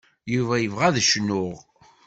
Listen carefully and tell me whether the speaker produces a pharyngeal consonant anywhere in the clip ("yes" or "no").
no